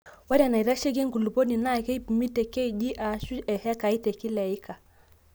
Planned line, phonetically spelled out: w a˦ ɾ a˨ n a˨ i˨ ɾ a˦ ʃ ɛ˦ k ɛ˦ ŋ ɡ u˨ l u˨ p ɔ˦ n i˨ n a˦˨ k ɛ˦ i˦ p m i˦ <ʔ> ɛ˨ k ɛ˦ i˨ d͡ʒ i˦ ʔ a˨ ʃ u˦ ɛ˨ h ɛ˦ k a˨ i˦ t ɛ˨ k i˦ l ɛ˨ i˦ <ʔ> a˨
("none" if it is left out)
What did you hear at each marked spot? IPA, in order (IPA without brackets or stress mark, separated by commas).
t, k